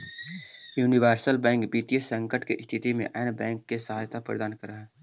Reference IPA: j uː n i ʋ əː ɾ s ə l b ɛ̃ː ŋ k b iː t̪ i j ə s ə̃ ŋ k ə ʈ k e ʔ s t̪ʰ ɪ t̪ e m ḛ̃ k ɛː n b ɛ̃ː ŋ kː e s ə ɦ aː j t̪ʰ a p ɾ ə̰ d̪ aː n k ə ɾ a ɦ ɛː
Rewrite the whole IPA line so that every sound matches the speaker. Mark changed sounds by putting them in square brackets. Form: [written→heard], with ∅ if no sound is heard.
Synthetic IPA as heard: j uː n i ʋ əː ɾ s ə l b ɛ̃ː ŋ k b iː t̪ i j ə s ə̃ ŋ k ə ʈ k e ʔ s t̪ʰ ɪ t̪ [e→i] m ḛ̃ [k→ʔ] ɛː n b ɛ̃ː ŋ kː e s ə ɦ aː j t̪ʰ a p ɾ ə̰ d̪ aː n k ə ɾ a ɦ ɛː